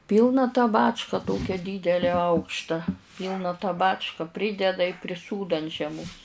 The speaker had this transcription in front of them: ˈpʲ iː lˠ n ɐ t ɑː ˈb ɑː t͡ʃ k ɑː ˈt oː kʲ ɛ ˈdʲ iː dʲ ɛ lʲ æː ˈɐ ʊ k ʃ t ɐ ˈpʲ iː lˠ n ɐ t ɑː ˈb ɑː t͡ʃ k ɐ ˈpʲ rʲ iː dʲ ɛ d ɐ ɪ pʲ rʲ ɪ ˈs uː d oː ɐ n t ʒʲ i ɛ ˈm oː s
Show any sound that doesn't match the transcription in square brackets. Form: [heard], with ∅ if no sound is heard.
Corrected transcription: ˈpʲ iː lˠ n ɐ t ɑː ˈb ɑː t͡ʃ k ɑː ˈt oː kʲ ɛ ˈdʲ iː dʲ ɛ lʲ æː ˈɐ ʊ k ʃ t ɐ ˈpʲ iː lˠ n ɐ t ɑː ˈb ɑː t͡ʃ k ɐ ˈpʲ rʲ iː dʲ ɛ d ɐ ɪ pʲ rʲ ɪ ˈs uː d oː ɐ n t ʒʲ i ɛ ˈm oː s

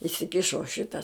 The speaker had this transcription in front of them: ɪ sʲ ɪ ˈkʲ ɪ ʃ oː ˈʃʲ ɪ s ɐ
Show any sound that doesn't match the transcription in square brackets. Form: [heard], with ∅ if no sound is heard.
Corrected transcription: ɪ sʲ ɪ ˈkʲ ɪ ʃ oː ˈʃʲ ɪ [t] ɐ

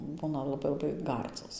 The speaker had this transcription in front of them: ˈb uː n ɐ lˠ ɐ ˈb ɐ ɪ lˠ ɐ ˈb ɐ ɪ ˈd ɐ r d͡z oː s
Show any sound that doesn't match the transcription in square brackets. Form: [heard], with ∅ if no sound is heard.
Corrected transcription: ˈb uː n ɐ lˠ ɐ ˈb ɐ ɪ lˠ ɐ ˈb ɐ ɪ [ˈɡ] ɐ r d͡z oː s

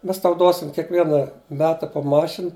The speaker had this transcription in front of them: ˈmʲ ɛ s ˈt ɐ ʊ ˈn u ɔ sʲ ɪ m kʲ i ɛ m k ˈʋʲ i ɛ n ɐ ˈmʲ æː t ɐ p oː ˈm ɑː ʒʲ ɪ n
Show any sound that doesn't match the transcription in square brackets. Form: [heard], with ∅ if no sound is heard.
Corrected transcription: ˈmʲ ɛ s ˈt ɐ ʊ [ˈd] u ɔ sʲ ɪ m kʲ i ɛ [∅] k ˈʋʲ i ɛ n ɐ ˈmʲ æː t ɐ p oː ˈm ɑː [ʃʲ] ɪ n

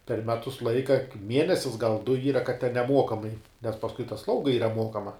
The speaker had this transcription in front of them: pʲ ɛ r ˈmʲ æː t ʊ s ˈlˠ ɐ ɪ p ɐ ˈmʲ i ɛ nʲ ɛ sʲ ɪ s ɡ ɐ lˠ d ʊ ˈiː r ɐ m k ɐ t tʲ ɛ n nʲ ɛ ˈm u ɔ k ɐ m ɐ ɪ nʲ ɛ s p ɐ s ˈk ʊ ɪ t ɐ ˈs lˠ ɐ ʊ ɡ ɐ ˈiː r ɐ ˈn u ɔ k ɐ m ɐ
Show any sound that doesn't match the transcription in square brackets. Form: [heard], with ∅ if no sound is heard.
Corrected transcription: pʲ ɛ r ˈmʲ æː t ʊ s ˈlˠ ɐ ɪ [k] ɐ ˈmʲ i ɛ nʲ ɛ sʲ ɪ s ɡ ɐ lˠ d ʊ ˈiː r ɐ [∅] k ɐ t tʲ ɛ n nʲ ɛ ˈm u ɔ k ɐ m ɐ ɪ nʲ ɛ s p ɐ s ˈk ʊ ɪ t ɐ ˈs lˠ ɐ ʊ ɡ ɐ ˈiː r ɐ [ˈm] u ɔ k ɐ m ɐ

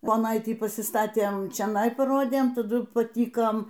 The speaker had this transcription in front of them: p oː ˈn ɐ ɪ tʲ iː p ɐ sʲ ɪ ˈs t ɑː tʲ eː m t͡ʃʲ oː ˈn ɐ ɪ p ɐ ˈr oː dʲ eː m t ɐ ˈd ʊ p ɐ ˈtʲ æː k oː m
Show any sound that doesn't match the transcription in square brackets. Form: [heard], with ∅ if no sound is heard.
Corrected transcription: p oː ˈn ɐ ɪ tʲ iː p ɐ sʲ ɪ ˈs t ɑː tʲ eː m t͡ʃʲ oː ˈn ɐ ɪ p ɐ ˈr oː dʲ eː m t ɐ ˈd ʊ p ɐ ˈtʲ [iː] k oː m

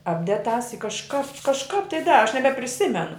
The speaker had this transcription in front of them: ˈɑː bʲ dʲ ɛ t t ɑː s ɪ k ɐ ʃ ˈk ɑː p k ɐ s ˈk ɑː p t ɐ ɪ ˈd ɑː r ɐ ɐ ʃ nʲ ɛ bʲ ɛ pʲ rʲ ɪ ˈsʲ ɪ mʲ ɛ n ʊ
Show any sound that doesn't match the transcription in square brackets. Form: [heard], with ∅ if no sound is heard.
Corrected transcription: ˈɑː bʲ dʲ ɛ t t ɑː s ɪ k ɐ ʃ ˈk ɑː p k ɐ [ʃ] ˈk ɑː p t ɐ ɪ ˈd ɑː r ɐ ɐ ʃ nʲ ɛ bʲ ɛ pʲ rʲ ɪ ˈsʲ ɪ mʲ ɛ n ʊ

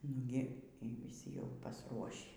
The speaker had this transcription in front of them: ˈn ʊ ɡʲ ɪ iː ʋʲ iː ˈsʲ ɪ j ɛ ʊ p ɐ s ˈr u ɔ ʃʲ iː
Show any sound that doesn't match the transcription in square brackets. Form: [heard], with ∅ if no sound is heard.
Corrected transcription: ˈn ʊ ɡʲ ɪ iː ʋʲ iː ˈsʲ ɪ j ɛ ʊ p ɐ s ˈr u ɔ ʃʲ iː

